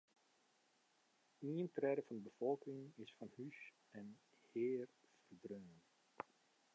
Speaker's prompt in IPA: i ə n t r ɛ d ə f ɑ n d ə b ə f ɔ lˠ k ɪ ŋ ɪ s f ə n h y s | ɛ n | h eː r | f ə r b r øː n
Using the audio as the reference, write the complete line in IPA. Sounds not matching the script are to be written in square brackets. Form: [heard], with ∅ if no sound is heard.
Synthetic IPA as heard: i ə n t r ɛ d ə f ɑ n d ə b ə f ɔ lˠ k ɪ ŋ ɪ s f [ɑ] n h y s | ɛ n | h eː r | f ə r [d] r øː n